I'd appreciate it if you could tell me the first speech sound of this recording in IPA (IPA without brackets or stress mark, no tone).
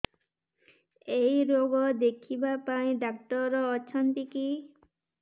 e